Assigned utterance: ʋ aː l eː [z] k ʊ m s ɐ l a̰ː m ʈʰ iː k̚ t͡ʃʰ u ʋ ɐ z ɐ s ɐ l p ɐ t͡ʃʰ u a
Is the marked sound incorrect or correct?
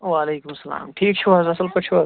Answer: incorrect